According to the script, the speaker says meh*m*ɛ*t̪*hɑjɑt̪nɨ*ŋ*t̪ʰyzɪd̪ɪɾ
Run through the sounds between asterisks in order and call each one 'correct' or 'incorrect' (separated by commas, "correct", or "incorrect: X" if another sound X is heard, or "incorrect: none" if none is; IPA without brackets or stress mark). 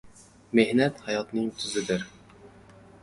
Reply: incorrect: n, correct, correct